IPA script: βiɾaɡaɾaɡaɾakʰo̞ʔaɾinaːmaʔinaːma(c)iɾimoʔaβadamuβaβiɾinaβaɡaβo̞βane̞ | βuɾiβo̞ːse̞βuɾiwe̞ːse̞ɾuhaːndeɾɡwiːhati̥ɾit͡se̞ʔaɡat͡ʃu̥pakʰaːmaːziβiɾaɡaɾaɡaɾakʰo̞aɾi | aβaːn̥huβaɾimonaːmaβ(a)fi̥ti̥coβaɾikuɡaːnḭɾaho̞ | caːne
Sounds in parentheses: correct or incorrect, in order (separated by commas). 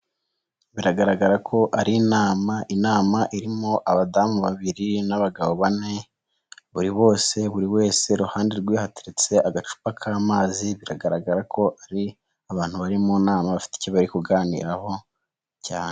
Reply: incorrect, correct